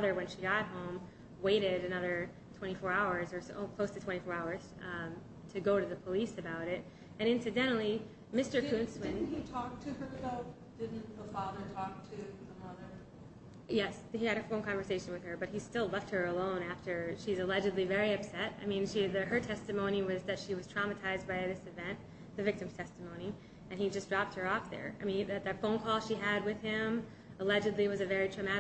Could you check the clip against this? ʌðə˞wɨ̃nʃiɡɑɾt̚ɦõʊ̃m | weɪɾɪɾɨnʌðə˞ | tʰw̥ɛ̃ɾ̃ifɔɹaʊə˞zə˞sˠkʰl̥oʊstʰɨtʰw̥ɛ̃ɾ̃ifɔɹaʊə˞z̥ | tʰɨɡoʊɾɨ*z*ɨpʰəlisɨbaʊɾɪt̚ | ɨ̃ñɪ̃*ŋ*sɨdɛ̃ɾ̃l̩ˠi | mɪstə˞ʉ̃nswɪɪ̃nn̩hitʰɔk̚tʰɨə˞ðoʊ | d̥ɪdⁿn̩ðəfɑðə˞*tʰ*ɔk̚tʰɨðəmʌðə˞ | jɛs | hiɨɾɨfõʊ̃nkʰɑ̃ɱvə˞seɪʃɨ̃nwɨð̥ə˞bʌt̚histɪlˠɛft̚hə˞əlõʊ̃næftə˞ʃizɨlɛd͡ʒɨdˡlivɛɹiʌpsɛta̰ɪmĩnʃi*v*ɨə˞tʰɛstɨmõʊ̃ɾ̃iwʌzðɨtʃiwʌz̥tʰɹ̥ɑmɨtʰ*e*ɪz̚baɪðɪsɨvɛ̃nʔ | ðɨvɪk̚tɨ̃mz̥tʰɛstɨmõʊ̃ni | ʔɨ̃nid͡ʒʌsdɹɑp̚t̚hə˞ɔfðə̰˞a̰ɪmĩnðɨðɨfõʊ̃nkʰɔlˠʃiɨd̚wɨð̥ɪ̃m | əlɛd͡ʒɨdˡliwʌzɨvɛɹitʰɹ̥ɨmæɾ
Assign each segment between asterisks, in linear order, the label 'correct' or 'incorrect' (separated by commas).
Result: incorrect, incorrect, correct, incorrect, incorrect